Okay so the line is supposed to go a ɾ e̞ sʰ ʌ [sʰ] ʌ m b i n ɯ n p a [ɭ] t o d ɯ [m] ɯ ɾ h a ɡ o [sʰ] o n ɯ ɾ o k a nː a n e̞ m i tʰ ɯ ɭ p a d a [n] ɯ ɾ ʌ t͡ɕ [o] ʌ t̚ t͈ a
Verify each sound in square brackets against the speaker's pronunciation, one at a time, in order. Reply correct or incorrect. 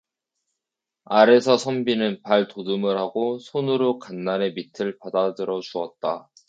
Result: correct, correct, correct, correct, incorrect, incorrect

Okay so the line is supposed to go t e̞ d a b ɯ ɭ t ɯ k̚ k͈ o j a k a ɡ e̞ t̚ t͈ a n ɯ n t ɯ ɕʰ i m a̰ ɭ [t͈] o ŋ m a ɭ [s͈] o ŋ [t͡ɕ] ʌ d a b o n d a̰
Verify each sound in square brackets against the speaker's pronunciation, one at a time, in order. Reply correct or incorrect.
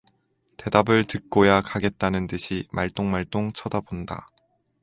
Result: correct, incorrect, incorrect

